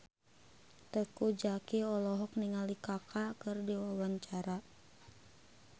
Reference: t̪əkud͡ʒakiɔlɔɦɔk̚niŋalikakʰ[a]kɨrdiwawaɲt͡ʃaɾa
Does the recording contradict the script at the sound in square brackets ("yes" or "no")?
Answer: no